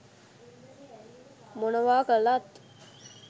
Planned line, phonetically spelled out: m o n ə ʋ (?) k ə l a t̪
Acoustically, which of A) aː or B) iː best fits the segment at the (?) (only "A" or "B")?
A